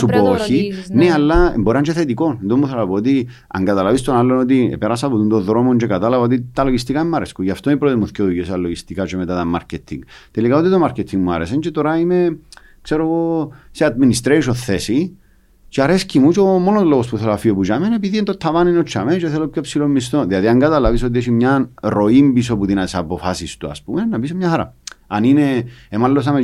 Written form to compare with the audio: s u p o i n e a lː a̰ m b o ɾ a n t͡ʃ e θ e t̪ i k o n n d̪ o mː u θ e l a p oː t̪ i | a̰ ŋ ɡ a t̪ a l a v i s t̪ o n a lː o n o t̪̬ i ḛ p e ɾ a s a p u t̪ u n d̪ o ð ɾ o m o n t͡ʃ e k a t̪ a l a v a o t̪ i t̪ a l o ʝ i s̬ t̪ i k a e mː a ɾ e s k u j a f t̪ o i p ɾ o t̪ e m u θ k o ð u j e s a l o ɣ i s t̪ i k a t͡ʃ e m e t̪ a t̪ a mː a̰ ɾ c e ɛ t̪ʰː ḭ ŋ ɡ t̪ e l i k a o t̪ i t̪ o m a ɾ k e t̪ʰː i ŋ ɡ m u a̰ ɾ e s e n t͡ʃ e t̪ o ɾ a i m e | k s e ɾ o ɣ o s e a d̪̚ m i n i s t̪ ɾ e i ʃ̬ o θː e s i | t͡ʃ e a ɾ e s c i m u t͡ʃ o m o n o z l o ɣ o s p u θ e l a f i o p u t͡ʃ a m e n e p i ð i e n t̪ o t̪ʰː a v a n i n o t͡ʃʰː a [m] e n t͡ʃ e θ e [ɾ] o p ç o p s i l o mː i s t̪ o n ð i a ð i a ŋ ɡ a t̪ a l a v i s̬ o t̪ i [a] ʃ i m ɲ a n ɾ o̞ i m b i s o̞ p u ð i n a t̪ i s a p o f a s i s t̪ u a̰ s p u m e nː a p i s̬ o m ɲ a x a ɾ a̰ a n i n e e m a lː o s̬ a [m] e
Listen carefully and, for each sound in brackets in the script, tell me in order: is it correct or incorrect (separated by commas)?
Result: correct, incorrect, incorrect, correct